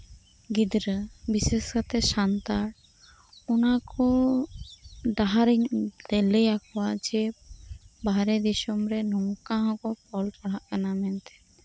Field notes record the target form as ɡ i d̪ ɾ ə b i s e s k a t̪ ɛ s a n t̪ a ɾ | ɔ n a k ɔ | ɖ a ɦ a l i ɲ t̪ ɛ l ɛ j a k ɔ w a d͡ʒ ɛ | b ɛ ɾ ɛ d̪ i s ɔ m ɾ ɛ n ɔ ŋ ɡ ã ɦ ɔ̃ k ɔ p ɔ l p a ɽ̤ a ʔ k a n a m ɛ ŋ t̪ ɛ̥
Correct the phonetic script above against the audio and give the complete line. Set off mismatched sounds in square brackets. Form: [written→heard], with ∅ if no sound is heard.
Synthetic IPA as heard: ɡ i d̪ ɾ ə b i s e s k a t̪ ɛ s a n t̪ a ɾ | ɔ n a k ɔ | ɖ a ɦ a [l→ɾ] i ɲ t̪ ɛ l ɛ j a k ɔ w a d͡ʒ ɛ | b [ɛ→a] ɾ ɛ d̪ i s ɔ m ɾ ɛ n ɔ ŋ [ɡ→k] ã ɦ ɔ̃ k ɔ p ɔ l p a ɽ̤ a ʔ k a n a m ɛ [ŋ→n] t̪ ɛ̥